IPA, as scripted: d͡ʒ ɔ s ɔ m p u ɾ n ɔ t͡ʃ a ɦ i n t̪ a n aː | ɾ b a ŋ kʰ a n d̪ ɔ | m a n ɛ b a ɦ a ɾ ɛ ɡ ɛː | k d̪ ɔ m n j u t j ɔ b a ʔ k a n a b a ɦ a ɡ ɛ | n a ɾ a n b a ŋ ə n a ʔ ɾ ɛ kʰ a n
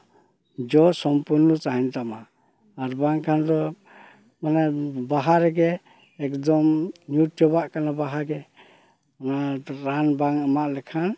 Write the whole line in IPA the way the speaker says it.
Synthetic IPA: d͡ʒ ɔ s ɔ m p u ɾ n ɔ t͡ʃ a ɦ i n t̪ a m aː | ɾ b a ŋ kʰ a n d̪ ɔ | m a n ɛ b a ɦ a ɾ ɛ ɡ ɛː | k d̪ ɔ m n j u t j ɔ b a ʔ k a n a b a ɦ a ɡ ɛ | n a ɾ a n b a ŋ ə m a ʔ l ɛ kʰ a n

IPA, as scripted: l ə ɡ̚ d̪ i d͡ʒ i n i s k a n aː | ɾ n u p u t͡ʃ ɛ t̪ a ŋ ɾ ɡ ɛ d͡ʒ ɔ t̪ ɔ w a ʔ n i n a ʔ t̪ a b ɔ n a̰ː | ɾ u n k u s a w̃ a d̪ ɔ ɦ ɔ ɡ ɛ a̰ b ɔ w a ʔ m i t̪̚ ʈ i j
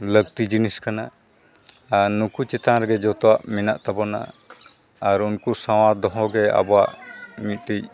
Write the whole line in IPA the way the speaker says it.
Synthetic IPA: l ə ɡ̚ t̪ i d͡ʒ i n i s k a n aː | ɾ n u k u t͡ʃ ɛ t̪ a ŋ ɾ ɡ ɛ d͡ʒ ɔ t̪ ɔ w a ʔ m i n a ʔ t̪ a b ɔ n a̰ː | ɾ u n k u s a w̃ a d̪ ɔ ɦ ɔ ɡ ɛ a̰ b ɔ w a ʔ m i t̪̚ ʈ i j

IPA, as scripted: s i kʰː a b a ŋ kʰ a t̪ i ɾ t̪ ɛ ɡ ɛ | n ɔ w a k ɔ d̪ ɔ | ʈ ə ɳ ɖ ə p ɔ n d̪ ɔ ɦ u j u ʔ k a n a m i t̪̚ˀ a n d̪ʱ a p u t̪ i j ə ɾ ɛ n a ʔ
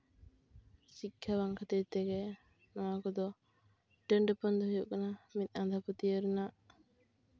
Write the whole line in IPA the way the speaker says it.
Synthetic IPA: s i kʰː a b a ŋ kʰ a t̪ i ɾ t̪ ɛ ɡ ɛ | n ɔ w a k ɔ d̪ ɔ | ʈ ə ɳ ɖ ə p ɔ n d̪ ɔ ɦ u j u ʔ k a n a m i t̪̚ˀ a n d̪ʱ a p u t̪ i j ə ɾ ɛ n a ʔ

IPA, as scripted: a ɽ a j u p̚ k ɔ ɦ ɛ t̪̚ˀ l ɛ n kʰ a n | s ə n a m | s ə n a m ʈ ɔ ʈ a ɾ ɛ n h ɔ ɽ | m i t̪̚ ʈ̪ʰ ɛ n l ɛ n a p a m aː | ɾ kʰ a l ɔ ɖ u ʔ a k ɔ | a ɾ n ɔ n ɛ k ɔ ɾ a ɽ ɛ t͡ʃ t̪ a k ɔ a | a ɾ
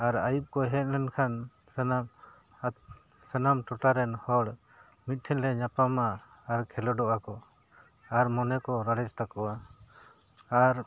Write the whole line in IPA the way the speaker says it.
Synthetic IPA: a ɾ a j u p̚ k ɔ ɦ ɛ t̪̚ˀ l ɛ n kʰ a n | s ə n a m | s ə n a m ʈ ɔ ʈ a ɾ ɛ n h ɔ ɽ | m i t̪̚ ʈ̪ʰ ɛ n l ɛ ɲ a p a m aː | ɾ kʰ ɛ l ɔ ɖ ɔ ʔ a k ɔ | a ɾ m ɔ n ɛ k ɔ ɾ a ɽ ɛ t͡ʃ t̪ a k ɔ a | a ɾ

